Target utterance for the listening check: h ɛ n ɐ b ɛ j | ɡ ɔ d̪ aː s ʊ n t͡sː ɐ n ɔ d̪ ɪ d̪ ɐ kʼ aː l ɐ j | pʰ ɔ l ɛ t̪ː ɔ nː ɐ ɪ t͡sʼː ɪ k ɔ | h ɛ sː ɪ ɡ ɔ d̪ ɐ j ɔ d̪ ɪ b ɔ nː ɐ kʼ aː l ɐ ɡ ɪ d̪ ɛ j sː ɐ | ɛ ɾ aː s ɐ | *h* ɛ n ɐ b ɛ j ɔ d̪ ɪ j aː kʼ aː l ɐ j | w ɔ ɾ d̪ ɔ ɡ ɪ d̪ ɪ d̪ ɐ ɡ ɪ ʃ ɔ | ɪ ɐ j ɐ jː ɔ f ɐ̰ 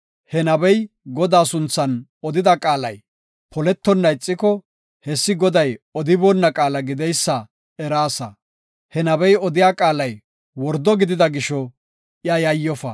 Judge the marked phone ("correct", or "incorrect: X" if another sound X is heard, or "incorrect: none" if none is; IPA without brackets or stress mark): correct